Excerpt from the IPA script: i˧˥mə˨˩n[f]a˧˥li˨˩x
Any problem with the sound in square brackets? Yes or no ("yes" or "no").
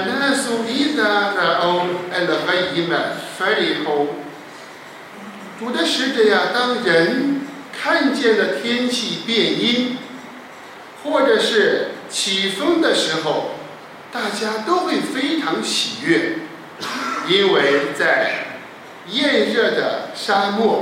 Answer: no